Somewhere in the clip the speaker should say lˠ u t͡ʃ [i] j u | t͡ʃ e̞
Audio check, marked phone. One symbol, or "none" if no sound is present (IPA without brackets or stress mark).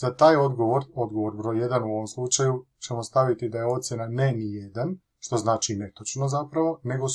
a